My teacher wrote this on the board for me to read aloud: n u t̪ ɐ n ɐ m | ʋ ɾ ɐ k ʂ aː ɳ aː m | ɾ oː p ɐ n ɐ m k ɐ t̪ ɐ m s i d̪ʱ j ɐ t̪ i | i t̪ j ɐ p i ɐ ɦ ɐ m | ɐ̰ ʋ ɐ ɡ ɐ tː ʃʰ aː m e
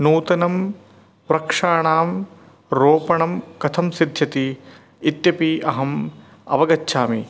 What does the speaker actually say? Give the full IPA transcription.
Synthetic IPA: n uː t̪ ɐ n ɐ m | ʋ ɾ ɐ k ʂ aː ɳ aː m | ɾ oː p ɐ ɳ ɐ m k ɐ t̪ʰ ɐ m s i d̪ʱ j ɐ t̪ i | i t̪ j ɐ p i ɐ ɦ ɐ m | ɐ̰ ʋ ɐ ɡ ɐ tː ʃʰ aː m i